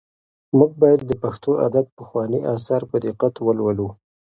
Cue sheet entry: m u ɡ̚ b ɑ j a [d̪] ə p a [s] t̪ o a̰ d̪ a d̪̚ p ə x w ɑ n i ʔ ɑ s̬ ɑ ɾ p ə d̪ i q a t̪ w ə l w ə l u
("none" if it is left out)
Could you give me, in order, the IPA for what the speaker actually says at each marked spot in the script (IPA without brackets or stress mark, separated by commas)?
d̪ː, x